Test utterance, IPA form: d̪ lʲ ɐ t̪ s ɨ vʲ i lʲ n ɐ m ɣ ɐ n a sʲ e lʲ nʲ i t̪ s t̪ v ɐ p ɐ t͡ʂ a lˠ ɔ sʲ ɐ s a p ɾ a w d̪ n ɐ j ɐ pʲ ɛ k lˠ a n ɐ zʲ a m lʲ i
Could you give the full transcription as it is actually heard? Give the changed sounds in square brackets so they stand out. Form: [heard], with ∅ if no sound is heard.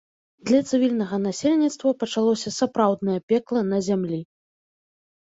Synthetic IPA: d̪ lʲ ɐ t̪ s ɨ vʲ i lʲ n ɐ [∅] ɣ ɐ n a sʲ e lʲ nʲ i t̪ s t̪ v ɐ p ɐ t͡ʂ a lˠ ɔ sʲ ɐ s a p ɾ a w d̪ n ɐ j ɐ pʲ ɛ k lˠ [ɐ] n ɐ zʲ a m lʲ i

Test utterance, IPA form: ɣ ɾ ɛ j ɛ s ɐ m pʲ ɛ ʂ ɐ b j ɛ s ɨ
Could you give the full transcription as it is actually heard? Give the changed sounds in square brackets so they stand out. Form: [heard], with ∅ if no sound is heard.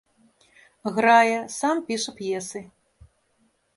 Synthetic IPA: ɣ ɾ [a] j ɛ s [a] m pʲ [i] ʂ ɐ [p] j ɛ s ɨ

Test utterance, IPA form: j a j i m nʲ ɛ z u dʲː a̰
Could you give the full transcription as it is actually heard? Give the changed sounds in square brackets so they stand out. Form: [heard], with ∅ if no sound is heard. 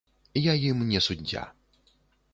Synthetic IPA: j a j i m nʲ ɛ [s] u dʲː a̰

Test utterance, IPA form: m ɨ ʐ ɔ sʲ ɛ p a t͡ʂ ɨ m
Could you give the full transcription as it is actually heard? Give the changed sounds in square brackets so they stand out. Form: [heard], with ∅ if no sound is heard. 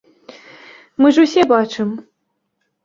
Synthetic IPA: m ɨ ʐ [u] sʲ ɛ [b] a t͡ʂ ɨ m

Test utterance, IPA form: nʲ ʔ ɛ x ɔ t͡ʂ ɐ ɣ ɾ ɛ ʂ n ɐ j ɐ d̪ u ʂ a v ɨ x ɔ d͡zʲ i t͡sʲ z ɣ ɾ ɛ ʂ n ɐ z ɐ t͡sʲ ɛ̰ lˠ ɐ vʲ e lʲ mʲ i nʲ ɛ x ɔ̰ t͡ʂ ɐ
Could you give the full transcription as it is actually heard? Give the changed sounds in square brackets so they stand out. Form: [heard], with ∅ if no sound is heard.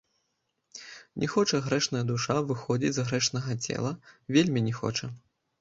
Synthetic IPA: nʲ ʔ ɛ x ɔ t͡ʂ ɐ ɣ ɾ ɛ ʂ n ɐ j ɐ d̪ u ʂ a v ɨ x ɔ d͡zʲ i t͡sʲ z ɣ ɾ ɛ ʂ n ɐ [ɣ] ɐ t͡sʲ ɛ̰ lˠ ɐ vʲ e lʲ mʲ i nʲ ɛ x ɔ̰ t͡ʂ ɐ

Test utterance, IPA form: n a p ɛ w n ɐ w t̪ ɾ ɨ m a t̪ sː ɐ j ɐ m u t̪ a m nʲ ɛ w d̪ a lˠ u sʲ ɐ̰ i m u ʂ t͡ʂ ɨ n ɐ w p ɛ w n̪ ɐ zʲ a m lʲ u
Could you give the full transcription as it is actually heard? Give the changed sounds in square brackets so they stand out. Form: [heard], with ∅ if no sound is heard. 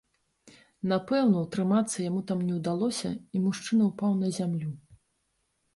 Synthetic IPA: n a p ɛ w n ɐ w t̪ ɾ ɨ m a t̪ sː ɐ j [a] m u t̪ a m nʲ ɛ w d̪ a lˠ [ɔ] sʲ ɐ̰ i m u ʂ t͡ʂ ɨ n ɐ w p [a] w n̪ ɐ zʲ a m lʲ u

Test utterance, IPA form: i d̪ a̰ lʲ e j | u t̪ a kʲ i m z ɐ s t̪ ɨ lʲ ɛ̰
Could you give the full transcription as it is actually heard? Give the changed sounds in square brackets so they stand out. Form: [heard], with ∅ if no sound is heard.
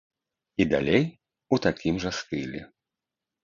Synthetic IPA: i d̪ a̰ lʲ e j | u t̪ a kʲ i m [ʐ] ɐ s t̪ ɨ lʲ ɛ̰

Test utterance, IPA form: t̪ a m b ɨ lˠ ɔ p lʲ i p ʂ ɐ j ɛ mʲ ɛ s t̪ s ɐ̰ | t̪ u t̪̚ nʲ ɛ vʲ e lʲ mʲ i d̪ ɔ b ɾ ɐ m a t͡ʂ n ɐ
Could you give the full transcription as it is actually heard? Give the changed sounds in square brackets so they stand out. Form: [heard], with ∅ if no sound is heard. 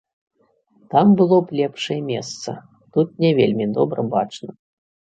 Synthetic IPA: t̪ a m b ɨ lˠ ɔ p lʲ [ɛ] p ʂ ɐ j ɛ mʲ ɛ s t̪ s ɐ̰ | t̪ u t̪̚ nʲ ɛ vʲ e lʲ mʲ i d̪ ɔ b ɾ ɐ [b] a t͡ʂ n ɐ

